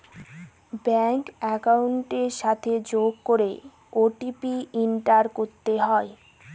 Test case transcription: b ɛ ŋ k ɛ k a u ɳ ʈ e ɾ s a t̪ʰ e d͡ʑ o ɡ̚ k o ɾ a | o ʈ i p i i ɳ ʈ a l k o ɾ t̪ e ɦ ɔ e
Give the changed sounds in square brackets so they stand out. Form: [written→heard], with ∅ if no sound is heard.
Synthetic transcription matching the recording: b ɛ ŋ k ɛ k a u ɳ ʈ e ɾ [s→ʃ] a t̪ʰ e d͡ʑ o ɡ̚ k o ɾ [a→e] | o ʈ i p i i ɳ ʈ a [l→ɾ] k o ɾ t̪ e ɦ ɔ e